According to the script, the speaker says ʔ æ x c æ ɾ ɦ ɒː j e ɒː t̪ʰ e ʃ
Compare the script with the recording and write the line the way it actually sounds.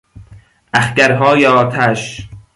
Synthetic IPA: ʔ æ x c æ ɾ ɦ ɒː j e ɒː t̪ʰ æ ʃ